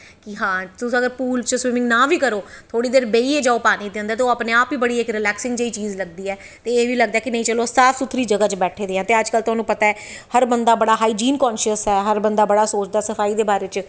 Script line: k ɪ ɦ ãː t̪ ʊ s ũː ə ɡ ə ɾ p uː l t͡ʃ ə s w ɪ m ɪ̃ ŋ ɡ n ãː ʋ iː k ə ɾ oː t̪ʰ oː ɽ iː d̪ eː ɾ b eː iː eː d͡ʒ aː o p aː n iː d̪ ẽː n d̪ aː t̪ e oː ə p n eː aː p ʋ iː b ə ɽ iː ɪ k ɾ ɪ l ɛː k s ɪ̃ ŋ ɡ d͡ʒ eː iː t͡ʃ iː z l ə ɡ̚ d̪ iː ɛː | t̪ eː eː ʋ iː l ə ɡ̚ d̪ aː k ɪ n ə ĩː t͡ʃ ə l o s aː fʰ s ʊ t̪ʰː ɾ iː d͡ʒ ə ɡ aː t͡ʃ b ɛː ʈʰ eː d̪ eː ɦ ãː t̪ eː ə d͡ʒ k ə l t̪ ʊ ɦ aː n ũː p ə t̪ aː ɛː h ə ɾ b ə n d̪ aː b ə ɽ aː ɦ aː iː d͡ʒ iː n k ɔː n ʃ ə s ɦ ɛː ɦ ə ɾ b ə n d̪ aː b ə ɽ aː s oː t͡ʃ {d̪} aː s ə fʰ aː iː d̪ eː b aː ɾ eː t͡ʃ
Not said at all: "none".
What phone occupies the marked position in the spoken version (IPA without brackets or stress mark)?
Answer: d̪